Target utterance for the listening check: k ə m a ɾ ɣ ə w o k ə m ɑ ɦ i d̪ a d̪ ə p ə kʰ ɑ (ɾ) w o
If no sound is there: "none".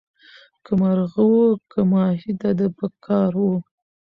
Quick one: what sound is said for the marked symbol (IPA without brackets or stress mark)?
ɾ